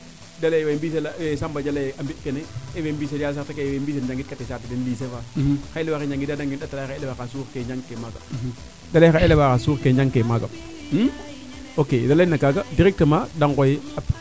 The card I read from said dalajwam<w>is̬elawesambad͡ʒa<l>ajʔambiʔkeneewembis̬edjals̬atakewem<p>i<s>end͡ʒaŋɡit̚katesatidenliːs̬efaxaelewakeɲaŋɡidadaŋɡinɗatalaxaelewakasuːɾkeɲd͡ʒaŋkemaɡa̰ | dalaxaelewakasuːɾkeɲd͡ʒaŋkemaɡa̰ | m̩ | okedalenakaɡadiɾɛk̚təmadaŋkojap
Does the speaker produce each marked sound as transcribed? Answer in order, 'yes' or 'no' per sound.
no, yes, no, yes

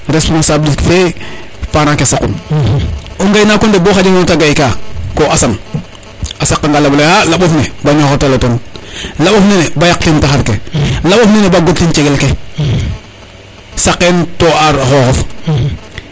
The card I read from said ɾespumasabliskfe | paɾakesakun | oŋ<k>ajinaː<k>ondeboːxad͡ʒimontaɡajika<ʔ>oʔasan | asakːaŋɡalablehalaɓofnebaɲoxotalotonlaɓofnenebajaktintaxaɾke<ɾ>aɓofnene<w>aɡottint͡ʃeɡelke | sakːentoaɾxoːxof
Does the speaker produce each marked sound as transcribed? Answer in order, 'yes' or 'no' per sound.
no, yes, no, no, no

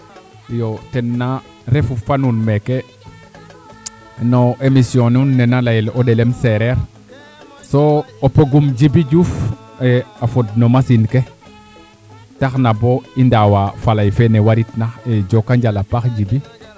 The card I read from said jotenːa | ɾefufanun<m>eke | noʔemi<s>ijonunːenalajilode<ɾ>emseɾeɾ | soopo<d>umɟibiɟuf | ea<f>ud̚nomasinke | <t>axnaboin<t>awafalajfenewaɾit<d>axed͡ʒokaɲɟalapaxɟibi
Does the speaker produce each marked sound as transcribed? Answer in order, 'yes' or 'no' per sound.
yes, yes, no, no, yes, yes, no, no

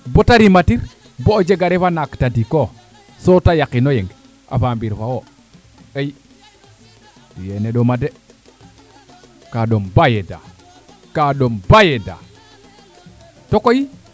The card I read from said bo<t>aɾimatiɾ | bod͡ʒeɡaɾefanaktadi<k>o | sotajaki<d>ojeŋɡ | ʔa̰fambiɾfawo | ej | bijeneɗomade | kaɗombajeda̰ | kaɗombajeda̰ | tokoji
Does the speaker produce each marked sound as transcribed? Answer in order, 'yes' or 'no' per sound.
yes, yes, no

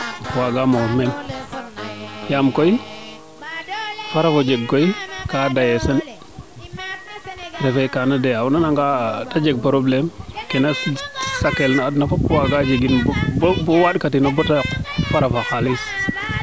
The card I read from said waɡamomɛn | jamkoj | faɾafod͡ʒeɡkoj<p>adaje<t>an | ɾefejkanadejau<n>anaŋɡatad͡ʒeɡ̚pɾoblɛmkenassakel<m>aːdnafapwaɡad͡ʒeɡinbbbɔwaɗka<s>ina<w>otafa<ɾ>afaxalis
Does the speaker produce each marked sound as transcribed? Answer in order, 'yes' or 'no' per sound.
no, no, yes, no, no, no, yes

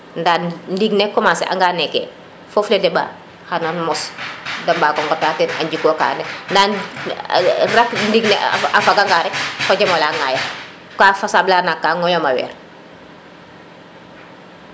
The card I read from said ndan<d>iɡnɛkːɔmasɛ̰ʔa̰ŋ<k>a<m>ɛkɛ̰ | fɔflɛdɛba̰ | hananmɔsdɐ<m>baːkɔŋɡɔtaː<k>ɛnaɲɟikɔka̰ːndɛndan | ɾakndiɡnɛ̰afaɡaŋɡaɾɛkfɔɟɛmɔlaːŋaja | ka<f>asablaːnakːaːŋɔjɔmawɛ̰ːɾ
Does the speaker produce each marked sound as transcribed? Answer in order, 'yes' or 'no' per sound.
yes, no, no, yes, no, yes

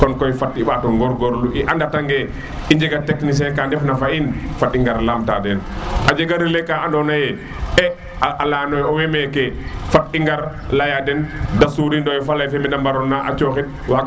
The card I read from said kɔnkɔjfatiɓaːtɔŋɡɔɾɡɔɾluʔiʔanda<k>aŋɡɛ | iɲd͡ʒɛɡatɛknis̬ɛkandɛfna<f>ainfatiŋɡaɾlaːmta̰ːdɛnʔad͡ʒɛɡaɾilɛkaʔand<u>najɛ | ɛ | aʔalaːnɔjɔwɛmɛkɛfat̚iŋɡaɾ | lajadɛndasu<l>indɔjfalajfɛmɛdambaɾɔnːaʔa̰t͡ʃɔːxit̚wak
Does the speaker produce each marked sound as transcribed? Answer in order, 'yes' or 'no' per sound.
no, yes, no, no

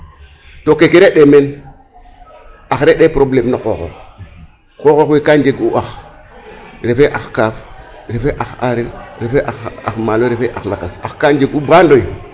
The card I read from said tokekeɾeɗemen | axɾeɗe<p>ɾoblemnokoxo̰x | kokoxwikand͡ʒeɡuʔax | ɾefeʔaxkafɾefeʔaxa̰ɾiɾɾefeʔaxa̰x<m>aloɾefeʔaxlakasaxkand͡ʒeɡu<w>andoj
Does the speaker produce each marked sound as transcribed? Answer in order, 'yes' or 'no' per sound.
yes, yes, no

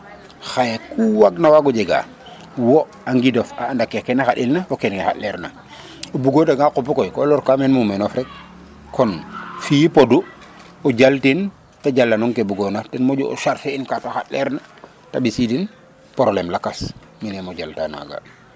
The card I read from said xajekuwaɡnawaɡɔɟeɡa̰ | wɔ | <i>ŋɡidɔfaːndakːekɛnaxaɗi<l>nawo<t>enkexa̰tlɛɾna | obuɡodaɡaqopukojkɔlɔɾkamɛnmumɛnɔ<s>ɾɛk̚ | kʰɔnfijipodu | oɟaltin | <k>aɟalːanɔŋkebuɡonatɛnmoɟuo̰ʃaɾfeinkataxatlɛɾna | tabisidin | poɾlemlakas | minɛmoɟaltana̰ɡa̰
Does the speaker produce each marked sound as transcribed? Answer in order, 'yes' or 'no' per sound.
no, yes, no, no, no

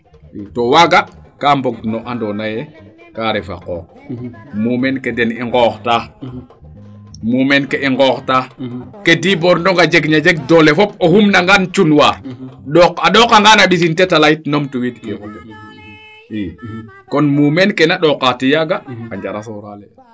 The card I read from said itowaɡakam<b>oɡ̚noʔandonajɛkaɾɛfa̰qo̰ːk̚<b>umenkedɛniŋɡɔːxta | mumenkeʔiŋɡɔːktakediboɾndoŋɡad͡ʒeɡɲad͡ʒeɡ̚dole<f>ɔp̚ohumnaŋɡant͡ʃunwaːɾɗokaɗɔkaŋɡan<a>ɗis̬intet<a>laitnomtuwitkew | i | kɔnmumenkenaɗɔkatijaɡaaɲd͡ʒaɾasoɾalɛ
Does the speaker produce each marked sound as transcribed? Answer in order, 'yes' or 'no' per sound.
yes, no, yes, yes, yes

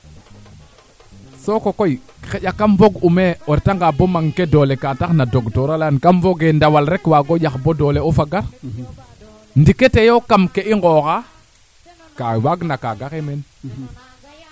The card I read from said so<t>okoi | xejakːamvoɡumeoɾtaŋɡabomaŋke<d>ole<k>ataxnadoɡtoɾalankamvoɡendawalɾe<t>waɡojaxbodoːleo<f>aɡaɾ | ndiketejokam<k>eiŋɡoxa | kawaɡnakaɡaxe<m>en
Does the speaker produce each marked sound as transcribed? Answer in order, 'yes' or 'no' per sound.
no, yes, yes, no, yes, yes, yes

